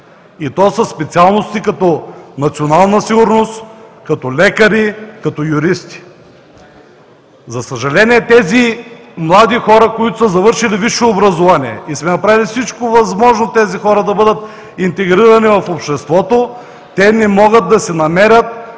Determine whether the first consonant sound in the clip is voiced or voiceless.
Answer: voiceless